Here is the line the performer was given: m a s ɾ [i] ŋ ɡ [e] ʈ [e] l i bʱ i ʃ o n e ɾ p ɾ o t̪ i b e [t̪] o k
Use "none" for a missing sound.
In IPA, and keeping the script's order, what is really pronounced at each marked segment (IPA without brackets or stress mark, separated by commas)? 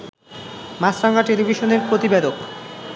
a, a, e, d̪